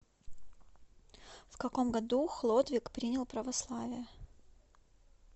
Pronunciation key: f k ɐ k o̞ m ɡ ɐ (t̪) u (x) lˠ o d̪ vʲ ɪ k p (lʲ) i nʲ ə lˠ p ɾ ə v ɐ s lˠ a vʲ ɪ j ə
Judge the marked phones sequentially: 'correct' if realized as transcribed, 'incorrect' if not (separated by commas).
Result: incorrect, correct, incorrect